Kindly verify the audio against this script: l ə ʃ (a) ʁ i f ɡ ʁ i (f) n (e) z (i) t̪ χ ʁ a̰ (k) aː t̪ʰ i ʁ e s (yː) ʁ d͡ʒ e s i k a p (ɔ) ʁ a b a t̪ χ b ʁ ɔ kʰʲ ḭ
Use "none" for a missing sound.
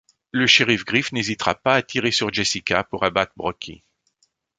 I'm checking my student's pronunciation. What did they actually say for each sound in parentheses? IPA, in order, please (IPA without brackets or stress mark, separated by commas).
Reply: e, f, e, i, p, y, u